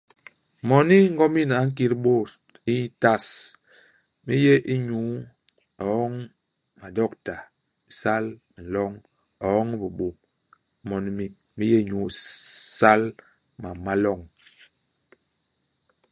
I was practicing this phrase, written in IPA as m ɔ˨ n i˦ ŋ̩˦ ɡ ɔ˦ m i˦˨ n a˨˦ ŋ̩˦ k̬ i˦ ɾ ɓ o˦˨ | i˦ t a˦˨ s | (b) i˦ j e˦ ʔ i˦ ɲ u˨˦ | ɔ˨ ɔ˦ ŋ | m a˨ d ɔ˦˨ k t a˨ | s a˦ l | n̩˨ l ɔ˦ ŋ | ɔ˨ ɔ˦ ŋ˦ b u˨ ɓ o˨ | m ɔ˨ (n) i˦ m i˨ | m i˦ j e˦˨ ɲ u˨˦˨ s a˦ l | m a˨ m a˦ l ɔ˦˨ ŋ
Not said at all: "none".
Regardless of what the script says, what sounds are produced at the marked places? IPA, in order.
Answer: m, n

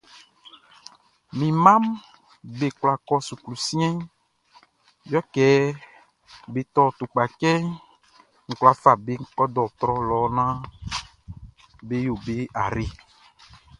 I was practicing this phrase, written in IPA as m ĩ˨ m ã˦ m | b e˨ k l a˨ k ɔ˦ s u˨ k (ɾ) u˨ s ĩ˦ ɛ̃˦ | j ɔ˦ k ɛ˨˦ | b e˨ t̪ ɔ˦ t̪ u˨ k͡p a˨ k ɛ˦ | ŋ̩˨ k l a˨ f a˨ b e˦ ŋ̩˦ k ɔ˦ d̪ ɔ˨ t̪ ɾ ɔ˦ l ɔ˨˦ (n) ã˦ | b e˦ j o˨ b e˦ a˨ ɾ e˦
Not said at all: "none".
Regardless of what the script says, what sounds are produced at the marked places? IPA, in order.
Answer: l, n

